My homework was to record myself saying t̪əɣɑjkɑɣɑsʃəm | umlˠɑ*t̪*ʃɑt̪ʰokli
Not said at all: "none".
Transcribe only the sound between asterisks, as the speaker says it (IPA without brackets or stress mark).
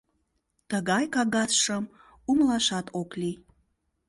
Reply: none